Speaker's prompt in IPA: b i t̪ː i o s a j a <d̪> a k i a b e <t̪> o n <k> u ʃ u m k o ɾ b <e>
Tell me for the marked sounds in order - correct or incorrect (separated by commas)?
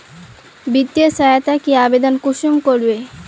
incorrect, incorrect, correct, correct